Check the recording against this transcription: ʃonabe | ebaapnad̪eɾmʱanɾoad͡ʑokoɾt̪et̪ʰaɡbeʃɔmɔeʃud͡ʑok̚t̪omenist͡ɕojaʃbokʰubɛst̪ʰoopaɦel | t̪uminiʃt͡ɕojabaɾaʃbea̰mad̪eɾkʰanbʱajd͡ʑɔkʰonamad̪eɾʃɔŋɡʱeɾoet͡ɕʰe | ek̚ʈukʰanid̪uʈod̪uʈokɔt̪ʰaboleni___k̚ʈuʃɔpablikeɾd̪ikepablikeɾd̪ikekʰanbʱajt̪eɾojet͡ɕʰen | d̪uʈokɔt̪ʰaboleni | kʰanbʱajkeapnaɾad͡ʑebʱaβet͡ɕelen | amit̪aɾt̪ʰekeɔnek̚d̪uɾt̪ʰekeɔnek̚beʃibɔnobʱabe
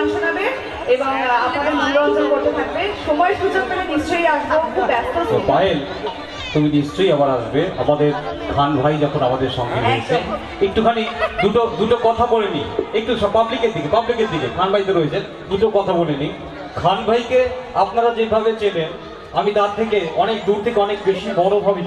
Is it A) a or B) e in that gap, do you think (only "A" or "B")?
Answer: B